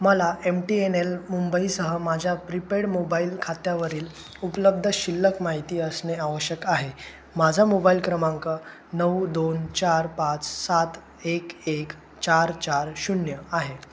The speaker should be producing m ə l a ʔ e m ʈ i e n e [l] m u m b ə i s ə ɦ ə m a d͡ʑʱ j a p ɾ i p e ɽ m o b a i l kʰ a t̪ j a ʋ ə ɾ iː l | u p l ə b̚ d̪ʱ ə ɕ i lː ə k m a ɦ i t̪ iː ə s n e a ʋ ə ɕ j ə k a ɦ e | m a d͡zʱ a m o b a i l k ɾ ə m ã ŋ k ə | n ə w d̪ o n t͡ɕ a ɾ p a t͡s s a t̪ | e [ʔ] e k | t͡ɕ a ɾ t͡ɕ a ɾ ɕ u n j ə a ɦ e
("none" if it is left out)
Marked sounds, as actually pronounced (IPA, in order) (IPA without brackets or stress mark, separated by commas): l, k